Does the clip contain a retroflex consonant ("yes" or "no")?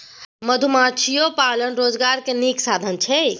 no